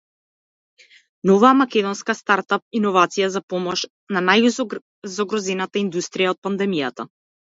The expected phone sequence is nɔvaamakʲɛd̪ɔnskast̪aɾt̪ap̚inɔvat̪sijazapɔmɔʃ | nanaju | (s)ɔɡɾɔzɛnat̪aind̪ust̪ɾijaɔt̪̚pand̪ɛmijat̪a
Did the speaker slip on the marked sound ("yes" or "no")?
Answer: yes